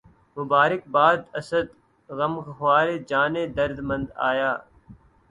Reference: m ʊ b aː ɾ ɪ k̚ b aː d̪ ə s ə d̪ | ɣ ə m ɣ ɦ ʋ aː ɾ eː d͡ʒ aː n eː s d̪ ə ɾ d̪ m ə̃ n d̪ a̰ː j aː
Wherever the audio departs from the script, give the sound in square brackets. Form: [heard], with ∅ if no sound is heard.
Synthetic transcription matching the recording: m ʊ b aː ɾ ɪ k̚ b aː d̪ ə s ə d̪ | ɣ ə m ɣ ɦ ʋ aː ɾ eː d͡ʒ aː n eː [∅] d̪ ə ɾ d̪ m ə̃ n d̪ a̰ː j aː